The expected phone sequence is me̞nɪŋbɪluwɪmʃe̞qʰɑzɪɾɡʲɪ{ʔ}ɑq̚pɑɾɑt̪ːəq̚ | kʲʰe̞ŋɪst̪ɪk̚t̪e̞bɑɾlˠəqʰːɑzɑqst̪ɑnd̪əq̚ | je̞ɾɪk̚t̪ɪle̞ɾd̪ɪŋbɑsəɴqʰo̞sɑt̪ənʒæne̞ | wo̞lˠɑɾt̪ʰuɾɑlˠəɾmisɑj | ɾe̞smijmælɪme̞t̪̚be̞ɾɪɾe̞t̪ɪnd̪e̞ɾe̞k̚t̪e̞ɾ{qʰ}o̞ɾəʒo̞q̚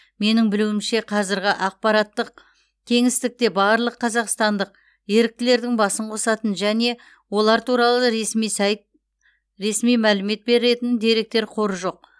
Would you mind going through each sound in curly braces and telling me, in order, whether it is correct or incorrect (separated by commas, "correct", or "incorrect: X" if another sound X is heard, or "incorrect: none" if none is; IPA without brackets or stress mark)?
correct, correct